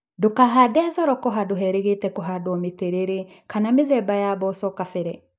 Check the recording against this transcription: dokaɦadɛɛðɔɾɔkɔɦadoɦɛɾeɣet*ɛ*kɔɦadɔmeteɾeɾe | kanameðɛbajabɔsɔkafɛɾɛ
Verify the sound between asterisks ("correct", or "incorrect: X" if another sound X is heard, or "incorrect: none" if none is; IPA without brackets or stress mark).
correct